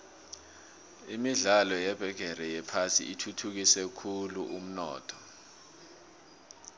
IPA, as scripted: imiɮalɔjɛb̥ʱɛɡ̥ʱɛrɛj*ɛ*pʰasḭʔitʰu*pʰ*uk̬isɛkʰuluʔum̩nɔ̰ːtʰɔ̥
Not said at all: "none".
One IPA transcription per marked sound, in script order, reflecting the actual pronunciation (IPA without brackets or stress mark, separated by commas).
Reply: ɛ, tʰ